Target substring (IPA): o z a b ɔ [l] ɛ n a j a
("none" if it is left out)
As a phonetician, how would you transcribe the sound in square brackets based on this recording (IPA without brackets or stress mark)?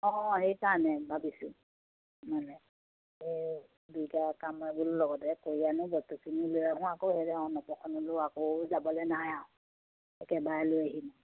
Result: l